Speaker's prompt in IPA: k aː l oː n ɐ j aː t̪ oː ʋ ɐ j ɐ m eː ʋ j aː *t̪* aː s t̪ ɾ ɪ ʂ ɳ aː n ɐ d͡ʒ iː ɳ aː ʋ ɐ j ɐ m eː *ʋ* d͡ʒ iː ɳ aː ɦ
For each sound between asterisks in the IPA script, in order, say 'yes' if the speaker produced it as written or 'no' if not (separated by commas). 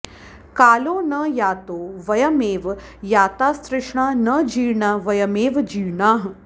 yes, yes